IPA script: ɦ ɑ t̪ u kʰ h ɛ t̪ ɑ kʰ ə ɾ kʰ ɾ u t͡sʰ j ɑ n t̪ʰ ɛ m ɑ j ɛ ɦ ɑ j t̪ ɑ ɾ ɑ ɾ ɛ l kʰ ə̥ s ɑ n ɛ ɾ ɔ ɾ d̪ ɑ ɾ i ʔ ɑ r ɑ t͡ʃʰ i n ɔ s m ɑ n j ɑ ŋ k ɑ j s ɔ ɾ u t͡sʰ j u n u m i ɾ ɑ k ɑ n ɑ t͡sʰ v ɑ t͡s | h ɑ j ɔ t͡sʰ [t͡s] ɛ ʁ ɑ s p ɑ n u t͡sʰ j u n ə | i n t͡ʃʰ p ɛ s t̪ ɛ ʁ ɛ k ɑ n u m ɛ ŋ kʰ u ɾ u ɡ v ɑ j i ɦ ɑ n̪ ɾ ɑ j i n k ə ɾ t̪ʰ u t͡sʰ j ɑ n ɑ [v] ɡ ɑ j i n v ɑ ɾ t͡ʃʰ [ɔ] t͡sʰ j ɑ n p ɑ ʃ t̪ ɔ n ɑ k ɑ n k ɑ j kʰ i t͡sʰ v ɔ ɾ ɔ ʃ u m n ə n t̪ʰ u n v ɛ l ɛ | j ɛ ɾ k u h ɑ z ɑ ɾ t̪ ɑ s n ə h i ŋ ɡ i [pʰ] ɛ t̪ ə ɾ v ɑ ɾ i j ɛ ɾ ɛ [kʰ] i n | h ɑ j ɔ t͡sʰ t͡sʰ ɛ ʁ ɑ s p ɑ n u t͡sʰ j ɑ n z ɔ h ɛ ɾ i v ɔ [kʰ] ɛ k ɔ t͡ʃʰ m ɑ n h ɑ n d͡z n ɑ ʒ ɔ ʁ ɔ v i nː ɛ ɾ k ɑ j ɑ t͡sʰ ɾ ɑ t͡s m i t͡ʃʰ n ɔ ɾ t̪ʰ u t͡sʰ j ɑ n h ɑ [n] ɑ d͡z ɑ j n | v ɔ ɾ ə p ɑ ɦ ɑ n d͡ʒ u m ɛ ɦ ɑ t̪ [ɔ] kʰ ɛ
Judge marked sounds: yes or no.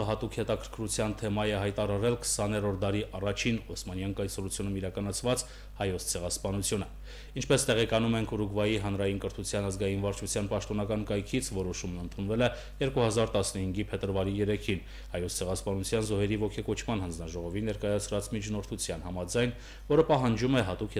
no, no, no, yes, yes, yes, no, no

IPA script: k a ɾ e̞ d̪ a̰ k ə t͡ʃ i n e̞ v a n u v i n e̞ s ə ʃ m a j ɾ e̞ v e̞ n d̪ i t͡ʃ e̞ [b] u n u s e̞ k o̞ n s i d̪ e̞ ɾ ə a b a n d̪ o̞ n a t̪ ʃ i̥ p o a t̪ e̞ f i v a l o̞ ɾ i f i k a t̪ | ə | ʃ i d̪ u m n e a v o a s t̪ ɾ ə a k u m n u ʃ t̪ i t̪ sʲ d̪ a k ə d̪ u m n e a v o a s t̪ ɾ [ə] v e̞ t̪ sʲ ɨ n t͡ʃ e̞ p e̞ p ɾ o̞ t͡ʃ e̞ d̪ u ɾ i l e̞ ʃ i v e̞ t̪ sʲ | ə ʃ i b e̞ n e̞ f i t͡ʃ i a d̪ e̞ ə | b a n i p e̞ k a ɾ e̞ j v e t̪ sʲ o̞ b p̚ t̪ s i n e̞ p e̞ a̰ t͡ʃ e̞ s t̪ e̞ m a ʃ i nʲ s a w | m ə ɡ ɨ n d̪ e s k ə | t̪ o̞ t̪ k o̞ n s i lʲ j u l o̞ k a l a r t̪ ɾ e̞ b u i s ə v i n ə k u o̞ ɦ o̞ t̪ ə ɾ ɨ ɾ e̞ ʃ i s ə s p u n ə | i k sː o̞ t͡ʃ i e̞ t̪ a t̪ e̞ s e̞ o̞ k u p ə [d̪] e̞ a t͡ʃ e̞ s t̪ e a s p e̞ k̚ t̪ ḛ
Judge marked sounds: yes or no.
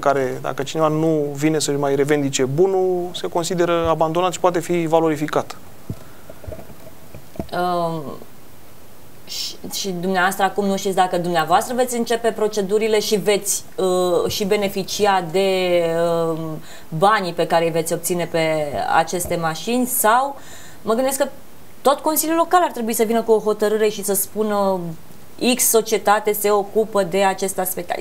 yes, yes, yes

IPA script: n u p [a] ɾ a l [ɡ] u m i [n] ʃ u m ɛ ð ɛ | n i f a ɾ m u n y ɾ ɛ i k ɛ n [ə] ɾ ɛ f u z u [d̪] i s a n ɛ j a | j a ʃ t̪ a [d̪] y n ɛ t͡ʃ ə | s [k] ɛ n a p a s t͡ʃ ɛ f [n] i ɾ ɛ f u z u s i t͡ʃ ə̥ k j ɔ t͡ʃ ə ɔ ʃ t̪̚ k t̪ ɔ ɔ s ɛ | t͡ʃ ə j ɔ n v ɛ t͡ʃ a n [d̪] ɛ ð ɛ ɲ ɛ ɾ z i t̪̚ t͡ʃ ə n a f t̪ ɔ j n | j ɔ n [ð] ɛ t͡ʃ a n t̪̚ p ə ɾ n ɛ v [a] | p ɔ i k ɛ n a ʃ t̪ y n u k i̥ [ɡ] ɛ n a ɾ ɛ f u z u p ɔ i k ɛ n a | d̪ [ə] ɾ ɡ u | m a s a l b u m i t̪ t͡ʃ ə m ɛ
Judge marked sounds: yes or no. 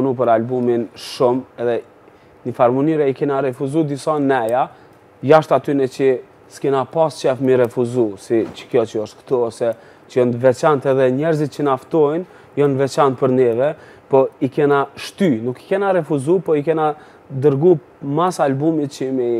no, no, yes, no, yes, no, yes, no, no, no, no, no, yes

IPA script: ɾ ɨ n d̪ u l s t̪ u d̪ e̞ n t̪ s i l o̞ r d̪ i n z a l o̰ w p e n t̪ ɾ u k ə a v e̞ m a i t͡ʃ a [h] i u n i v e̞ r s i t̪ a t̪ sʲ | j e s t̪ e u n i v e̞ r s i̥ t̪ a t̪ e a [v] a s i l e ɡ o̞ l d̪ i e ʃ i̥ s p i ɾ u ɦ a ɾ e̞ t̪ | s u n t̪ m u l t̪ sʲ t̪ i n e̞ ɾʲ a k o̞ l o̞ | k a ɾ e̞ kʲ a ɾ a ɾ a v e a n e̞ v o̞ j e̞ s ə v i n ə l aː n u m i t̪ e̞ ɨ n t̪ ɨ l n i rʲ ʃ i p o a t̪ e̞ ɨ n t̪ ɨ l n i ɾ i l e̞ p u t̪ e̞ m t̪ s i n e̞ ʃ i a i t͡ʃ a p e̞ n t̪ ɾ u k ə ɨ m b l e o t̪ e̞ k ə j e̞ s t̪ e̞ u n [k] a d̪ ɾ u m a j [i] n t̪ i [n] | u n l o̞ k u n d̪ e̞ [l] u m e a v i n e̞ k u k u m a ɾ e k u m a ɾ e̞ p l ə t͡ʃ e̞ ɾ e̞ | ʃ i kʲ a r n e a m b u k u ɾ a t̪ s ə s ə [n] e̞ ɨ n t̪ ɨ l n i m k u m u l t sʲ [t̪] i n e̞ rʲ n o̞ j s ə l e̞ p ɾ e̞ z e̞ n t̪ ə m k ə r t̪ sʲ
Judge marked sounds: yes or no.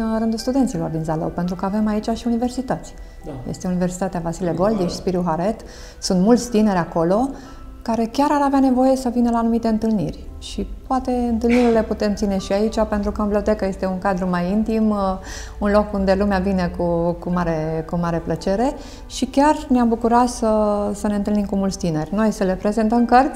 no, yes, yes, yes, no, yes, yes, yes

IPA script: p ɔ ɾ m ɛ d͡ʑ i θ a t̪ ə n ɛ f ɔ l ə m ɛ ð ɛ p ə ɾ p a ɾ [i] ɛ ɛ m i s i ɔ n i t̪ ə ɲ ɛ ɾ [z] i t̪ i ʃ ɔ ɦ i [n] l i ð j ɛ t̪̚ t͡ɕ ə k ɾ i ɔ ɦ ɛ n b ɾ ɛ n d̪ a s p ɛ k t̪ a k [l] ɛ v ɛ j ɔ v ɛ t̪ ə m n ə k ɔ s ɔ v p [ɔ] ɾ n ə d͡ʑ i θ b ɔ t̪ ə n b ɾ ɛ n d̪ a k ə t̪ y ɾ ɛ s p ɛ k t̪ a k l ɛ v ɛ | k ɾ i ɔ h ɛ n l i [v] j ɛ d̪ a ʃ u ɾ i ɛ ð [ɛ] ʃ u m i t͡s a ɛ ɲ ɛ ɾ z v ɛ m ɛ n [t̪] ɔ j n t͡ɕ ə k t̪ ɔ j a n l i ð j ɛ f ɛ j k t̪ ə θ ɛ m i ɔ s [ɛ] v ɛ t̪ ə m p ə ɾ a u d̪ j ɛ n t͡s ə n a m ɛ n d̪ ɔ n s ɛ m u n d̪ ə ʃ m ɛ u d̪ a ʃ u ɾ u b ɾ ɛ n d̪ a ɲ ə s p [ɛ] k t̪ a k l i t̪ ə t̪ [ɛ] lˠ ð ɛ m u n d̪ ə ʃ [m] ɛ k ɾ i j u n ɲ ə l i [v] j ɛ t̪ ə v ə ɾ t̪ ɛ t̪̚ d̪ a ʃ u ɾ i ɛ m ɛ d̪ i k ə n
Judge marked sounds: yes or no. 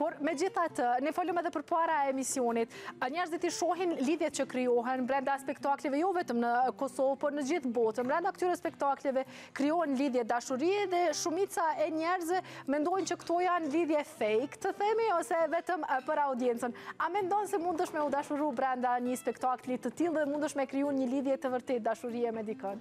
no, yes, yes, yes, yes, no, yes, no, yes, yes, no, yes, no

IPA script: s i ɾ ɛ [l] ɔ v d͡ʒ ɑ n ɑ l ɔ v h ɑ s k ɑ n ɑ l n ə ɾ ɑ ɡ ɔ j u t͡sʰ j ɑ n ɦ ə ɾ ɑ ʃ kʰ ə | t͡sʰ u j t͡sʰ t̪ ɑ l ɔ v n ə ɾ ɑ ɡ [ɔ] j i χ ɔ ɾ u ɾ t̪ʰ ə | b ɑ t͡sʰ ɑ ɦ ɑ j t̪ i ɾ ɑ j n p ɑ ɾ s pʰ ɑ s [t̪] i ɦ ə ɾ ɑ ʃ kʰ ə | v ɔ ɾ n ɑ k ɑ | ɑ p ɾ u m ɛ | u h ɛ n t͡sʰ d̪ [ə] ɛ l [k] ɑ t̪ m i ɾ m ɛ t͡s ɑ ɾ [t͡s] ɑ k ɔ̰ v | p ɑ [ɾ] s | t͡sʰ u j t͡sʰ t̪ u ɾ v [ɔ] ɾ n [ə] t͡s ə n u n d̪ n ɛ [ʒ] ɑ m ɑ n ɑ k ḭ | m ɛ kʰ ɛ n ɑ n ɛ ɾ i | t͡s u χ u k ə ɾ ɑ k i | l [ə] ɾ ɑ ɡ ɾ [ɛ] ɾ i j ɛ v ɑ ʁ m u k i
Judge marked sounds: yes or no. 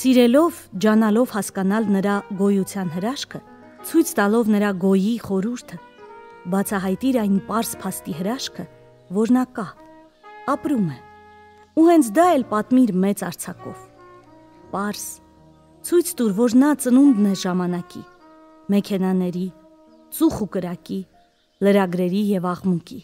yes, yes, yes, no, no, no, yes, yes, no, yes, yes, yes

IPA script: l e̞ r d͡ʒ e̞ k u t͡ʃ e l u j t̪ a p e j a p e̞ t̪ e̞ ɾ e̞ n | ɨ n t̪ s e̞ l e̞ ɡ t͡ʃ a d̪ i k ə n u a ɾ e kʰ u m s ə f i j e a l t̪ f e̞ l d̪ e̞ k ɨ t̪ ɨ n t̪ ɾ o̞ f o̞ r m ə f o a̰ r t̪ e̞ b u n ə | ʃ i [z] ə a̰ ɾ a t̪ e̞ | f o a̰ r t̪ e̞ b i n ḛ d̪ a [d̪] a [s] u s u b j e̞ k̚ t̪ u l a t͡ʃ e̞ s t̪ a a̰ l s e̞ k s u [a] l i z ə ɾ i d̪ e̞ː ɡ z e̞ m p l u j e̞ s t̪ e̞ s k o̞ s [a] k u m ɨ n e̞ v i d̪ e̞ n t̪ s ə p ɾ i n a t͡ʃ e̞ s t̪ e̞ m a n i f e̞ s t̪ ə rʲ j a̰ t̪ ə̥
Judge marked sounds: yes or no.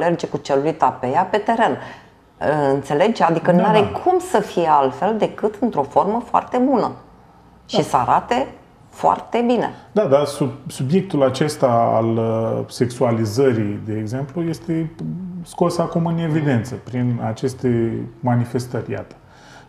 no, yes, yes, yes, yes

